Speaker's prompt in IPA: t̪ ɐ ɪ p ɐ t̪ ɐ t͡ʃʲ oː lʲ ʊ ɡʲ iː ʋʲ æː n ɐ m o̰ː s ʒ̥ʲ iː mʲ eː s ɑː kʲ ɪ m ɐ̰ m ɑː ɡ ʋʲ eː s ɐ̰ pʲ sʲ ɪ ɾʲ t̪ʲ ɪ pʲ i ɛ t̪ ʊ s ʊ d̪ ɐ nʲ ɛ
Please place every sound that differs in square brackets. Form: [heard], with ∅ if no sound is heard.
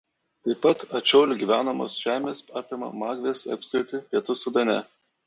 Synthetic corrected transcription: t̪ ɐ ɪ p ɐ t̪ ɐ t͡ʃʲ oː lʲ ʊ ɡʲ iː ʋʲ æː n ɐ m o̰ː s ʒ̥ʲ [æː] mʲ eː s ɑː [pʲ] ɪ m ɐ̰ m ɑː ɡ ʋʲ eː s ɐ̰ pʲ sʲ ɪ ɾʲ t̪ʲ ɪ pʲ i ɛ t̪ ʊ s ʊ d̪ ɐ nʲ ɛ